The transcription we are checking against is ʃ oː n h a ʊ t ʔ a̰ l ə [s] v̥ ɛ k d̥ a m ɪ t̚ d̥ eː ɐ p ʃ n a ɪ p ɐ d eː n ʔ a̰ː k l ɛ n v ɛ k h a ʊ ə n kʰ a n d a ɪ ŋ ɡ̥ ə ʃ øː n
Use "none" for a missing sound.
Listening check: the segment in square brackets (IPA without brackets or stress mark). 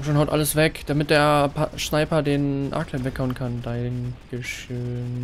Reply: s